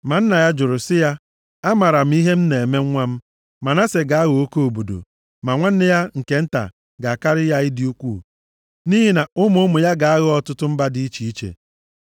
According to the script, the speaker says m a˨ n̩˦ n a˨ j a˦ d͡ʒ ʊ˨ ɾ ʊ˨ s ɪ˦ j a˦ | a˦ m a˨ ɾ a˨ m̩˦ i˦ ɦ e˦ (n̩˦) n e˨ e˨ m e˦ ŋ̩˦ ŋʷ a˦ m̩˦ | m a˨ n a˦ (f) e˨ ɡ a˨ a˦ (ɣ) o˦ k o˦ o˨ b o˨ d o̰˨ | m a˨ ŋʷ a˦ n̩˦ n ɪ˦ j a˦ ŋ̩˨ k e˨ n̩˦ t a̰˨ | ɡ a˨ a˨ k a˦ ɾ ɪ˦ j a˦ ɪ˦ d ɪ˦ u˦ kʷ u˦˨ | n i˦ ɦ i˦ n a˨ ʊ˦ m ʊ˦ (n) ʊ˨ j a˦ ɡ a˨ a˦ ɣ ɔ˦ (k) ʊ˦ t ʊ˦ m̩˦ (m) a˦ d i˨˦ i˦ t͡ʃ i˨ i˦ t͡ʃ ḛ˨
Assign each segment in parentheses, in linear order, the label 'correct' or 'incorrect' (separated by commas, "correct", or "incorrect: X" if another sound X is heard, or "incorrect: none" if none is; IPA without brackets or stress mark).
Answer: incorrect: m̩˦, incorrect: s, correct, incorrect: m, incorrect: t, incorrect: b